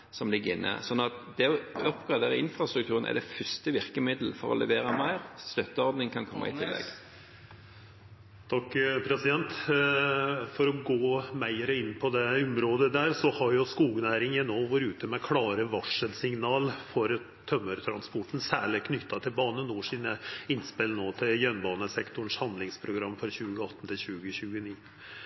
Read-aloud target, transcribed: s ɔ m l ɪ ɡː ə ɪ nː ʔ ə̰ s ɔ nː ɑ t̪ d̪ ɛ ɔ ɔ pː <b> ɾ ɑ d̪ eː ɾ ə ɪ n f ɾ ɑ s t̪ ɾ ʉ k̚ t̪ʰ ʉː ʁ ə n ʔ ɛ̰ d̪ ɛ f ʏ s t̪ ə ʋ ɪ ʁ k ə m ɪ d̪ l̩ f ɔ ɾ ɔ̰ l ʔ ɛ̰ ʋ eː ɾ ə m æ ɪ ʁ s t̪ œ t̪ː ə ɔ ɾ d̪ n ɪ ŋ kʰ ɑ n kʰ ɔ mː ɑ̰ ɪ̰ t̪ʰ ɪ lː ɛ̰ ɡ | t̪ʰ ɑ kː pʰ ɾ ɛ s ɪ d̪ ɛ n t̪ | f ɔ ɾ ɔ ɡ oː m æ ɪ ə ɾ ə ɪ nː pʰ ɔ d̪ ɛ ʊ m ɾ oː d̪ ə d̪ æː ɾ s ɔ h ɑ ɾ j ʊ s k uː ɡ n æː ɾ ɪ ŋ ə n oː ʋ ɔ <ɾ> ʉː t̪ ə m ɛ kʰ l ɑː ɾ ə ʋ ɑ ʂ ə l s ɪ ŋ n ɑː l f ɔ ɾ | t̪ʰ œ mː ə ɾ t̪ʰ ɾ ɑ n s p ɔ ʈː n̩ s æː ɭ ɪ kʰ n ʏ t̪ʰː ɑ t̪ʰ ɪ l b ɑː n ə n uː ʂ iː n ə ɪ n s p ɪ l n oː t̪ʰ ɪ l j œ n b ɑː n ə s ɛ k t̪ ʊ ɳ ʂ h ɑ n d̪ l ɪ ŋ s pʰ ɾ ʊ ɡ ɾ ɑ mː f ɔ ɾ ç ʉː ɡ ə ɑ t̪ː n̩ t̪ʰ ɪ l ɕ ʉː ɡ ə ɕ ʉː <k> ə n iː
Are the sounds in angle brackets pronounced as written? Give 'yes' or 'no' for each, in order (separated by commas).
no, yes, no